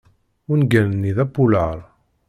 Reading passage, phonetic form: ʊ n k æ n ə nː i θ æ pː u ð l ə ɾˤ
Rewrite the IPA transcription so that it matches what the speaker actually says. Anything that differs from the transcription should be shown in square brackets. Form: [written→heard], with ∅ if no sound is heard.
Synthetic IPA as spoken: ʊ n [k→ɡ] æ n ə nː i [θ→ð] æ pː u [ð→∅] l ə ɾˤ